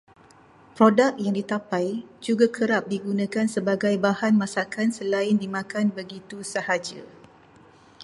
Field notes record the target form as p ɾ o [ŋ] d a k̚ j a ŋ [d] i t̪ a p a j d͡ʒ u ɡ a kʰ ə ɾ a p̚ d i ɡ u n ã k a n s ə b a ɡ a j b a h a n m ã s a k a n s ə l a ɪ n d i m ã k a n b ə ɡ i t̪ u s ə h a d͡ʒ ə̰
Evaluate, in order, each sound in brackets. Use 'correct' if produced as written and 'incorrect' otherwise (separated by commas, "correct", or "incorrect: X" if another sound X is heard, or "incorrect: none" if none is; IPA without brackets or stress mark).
incorrect: none, correct